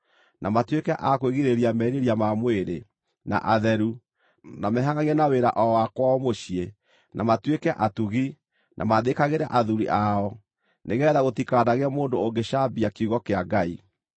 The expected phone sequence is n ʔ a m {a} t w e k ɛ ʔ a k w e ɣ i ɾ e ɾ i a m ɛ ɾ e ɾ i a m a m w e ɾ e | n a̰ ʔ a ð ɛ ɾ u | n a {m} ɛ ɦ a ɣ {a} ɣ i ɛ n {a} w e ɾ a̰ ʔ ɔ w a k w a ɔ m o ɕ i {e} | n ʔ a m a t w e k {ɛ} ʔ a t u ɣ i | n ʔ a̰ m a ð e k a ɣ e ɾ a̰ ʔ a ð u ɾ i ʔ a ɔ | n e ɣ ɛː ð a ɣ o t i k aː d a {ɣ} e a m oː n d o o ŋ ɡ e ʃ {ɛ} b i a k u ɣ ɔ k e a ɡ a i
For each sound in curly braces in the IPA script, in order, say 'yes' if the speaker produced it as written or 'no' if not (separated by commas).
yes, yes, yes, yes, yes, yes, yes, no